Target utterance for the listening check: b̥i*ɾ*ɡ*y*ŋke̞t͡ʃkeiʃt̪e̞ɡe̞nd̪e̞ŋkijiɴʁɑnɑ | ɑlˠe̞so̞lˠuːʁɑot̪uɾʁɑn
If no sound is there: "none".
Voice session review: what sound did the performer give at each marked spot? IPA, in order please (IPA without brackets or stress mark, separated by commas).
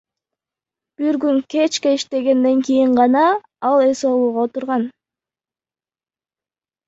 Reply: ɾ, y